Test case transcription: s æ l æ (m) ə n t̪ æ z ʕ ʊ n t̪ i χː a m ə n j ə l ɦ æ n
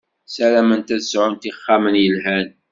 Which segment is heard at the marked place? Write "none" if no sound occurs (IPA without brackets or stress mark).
m